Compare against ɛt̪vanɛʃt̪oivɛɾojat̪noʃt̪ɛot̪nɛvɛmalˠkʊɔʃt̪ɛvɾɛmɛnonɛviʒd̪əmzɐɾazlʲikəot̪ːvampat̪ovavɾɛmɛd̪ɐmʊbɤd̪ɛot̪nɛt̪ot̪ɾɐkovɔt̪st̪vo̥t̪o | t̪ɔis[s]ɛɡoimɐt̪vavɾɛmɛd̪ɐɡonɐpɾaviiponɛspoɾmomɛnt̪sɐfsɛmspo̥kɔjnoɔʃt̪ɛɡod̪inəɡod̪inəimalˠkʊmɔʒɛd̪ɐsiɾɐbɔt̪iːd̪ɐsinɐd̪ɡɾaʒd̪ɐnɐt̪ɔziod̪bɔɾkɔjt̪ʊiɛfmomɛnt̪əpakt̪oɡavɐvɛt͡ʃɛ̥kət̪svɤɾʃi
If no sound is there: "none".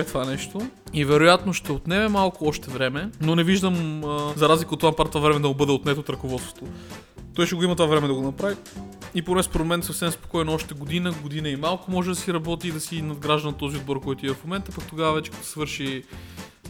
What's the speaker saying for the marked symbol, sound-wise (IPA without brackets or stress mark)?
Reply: ʃ